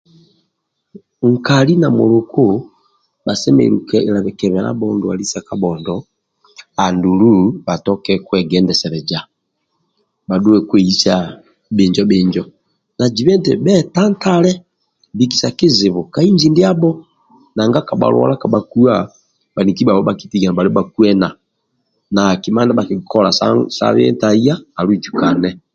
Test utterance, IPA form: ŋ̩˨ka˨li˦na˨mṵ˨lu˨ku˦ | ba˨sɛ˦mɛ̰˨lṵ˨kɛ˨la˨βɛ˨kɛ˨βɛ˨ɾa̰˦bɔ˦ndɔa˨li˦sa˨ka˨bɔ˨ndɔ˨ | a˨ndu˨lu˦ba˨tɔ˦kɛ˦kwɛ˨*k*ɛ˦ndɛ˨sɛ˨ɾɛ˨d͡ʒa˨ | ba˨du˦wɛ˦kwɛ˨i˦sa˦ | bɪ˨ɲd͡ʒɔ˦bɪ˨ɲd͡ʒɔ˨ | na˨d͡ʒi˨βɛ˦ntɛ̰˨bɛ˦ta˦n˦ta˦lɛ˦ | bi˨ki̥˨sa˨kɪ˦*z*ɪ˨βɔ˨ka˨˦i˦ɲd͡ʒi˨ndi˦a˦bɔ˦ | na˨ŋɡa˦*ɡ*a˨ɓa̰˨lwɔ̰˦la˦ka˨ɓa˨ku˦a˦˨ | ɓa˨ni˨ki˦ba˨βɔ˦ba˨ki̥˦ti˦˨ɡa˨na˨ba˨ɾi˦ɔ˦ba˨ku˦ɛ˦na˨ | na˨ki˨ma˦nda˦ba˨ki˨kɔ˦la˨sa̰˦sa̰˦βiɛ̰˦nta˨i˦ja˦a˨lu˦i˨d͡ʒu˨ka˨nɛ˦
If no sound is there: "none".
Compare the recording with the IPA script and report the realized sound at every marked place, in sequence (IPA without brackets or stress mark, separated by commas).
ɡ, z, k